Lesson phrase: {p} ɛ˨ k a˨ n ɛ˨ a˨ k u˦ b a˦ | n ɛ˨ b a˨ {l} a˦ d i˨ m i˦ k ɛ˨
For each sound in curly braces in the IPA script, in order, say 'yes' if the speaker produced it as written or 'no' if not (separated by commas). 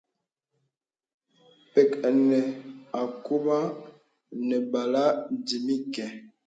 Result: yes, yes